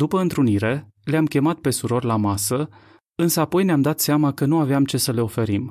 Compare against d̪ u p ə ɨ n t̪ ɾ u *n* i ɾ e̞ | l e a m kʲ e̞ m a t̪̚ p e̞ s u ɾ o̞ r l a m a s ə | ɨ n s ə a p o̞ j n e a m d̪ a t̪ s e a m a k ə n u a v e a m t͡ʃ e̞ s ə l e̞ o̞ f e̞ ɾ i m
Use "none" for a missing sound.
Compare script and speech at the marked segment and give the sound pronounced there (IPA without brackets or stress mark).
n